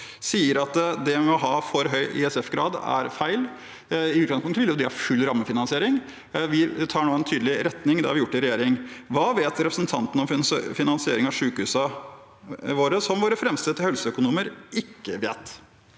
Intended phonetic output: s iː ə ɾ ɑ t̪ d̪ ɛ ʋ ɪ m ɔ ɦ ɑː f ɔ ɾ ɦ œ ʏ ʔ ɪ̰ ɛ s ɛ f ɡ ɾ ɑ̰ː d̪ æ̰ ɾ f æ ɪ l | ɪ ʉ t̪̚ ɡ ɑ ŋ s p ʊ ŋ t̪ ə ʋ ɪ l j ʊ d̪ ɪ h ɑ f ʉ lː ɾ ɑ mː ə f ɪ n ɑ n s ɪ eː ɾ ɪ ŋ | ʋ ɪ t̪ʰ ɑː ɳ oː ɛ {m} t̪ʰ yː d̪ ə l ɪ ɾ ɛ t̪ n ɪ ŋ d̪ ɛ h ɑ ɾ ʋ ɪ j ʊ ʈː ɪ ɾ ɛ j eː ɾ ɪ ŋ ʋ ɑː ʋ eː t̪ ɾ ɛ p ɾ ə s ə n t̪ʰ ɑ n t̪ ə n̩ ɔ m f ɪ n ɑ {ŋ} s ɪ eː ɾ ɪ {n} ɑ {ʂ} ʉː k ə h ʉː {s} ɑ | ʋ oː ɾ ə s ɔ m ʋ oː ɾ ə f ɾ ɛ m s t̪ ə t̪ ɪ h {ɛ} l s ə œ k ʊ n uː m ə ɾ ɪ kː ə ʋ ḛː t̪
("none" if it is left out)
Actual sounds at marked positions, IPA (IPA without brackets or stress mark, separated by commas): n, n, ŋ, ʂ, s, œ